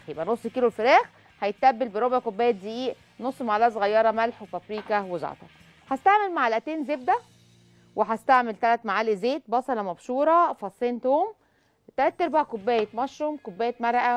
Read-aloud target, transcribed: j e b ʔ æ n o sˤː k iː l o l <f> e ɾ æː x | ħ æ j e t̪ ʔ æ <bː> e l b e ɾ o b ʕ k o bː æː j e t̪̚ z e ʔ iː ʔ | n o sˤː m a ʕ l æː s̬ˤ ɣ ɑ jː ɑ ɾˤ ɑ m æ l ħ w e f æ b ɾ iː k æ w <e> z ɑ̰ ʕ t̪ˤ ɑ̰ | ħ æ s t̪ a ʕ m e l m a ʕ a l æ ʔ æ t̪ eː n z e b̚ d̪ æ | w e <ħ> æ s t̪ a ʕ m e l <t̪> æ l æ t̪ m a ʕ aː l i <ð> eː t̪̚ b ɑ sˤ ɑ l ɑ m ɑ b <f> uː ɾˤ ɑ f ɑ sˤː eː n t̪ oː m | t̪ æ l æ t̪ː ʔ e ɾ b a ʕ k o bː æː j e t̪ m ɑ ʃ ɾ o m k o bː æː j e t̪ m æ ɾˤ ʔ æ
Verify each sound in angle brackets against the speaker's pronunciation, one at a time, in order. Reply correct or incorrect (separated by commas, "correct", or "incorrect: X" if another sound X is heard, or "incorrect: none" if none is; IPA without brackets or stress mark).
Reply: correct, correct, correct, correct, correct, incorrect: z, incorrect: ʃ